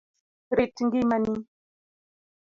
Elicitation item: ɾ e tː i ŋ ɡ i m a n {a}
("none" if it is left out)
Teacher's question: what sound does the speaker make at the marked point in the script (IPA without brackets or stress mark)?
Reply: i